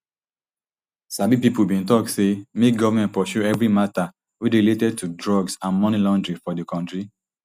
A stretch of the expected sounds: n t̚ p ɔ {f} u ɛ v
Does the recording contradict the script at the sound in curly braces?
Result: yes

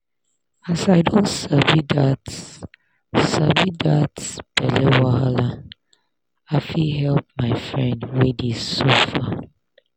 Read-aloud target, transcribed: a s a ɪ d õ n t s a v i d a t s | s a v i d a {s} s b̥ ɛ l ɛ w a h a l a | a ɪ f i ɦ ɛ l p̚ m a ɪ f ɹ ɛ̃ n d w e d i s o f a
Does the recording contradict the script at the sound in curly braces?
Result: yes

